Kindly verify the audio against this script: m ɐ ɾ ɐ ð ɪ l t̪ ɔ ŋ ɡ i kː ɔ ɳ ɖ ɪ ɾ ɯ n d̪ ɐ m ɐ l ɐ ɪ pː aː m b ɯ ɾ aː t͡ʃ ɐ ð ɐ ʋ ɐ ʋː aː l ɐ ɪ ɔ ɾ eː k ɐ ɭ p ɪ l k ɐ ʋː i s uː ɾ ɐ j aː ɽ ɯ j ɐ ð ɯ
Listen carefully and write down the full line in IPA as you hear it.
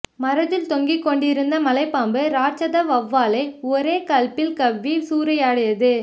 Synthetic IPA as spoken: m ɐ ɾ ɐ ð ɪ l t̪ ɔ ŋ ɡ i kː ɔ ɳ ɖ ɪ ɾ ɯ n d̪ ɐ m ɐ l ɐ ɪ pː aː m b ɯ ɾ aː t͡ʃ ɐ ð ɐ ʋ ɐ ʋː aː l ɐ ɪ ɔ ɾ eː k ɐ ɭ p ɪ l k ɐ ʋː i s uː ɾ ɐ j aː ɽ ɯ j ɐ ð ɯ

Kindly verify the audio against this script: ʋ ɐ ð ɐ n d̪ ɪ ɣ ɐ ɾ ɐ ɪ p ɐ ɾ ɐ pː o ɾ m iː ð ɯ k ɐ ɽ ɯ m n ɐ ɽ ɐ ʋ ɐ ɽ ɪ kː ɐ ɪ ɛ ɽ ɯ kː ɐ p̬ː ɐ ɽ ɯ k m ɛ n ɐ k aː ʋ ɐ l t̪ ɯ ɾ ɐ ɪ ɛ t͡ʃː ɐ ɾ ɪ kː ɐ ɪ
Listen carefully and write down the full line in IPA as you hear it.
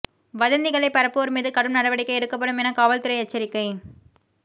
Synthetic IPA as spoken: ʋ ɐ ð ɐ n d̪ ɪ ɣ ɐ ɭ ɐ ɪ p ɐ ɾ ɐ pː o ɾ m iː ð ɯ k ɐ ɽ ɯ m n ɐ ɽ ɐ ʋ ɐ ɽ ɪ kː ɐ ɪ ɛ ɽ ɯ kː ɐ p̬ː ɐ ɽ ɯ m ɛ n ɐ k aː ʋ ɐ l t̪ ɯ ɾ ɐ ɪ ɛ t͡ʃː ɐ ɾ ɪ kː ɐ ɪ

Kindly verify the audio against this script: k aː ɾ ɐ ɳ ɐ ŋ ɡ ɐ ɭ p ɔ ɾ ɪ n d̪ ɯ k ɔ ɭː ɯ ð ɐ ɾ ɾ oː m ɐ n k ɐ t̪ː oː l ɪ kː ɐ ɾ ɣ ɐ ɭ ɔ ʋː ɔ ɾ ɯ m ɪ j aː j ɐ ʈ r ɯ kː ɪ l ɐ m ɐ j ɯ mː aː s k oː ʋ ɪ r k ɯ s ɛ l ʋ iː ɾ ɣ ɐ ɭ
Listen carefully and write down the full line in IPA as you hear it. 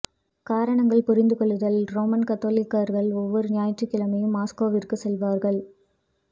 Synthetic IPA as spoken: k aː ɾ ɐ ɳ ɐ ŋ ɡ ɐ ɭ p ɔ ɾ ɪ n d̪ ɯ k ɔ ɭː ɯ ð ɐ l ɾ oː m ɐ n k ɐ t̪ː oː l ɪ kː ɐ ɾ ɣ ɐ ɭ ɔ ʋː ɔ ɾ ɯ n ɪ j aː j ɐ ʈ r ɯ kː ɪ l ɐ m ɐ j ɯ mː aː s k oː ʋ ɪ r k ɯ s ɛ l ʋ aː ɾ ɣ ɐ ɭ

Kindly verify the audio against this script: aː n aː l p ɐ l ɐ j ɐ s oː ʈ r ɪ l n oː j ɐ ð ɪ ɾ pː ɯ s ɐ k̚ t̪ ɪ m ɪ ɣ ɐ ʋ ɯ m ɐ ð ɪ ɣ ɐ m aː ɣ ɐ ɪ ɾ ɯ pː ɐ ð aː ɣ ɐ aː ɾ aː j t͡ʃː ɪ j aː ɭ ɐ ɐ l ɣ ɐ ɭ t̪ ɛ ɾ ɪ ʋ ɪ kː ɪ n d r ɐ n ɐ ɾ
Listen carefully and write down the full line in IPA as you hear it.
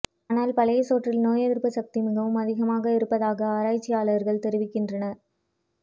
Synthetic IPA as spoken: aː n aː l p ɐ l ɐ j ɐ s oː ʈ r ɪ l n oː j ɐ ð ɪ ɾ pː ɯ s ɐ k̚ t̪ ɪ m ɪ ɣ ɐ ʋ ɯ m ɐ ð ɪ ɣ ɐ m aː ɣ ɐ ɪ ɾ ɯ pː ɐ ð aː ɣ ɐ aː ɾ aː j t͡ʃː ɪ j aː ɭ ɐ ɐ ɾ ɣ ɐ ɭ t̪ ɛ ɾ ɪ ʋ ɪ kː ɪ n d r ɐ n ɐ ɾ

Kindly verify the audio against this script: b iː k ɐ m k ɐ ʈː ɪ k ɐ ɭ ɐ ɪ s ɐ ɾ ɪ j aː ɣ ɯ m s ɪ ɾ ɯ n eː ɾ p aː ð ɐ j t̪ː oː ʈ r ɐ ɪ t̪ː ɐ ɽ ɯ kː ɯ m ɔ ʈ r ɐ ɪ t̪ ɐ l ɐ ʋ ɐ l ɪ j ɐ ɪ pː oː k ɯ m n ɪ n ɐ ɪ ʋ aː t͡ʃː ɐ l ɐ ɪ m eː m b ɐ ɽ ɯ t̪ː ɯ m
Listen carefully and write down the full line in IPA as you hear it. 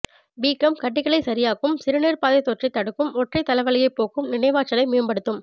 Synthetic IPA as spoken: b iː k ɐ m k ɐ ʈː ɪ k ɐ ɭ ɐ ɪ s ɐ ɾ ɪ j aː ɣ ɯ m s ɪ ɾ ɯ n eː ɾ p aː ð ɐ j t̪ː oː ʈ r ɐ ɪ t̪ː ɐ ɽ ɯ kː ɯ m ɔ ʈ r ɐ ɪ t̪ ɐ l ɐ ʋ ɐ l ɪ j ɐ ɪ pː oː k ɯ m n ɪ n ɐ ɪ ʋ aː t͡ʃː ɐ l ɐ ɪ m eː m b ɐ ɽ ɯ t̪ː ɯ m

